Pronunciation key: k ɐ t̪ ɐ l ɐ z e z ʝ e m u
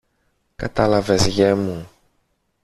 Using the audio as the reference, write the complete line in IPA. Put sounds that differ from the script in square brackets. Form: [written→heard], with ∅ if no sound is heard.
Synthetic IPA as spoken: k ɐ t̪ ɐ l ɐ [z→v] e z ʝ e m u